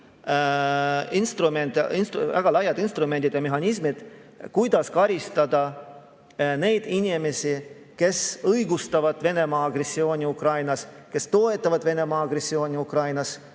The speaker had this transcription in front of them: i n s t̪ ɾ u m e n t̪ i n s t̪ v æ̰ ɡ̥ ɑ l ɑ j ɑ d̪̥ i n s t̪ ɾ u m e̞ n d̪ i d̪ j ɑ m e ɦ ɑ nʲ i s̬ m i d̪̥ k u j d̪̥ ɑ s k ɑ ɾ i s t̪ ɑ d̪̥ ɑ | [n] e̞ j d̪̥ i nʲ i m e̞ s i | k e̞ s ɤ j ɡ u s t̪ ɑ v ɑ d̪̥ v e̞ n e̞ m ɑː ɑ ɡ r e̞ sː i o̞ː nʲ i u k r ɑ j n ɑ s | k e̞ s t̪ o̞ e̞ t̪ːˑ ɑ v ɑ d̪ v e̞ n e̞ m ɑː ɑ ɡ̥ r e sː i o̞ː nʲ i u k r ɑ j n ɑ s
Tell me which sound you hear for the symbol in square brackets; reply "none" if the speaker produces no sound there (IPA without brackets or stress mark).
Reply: n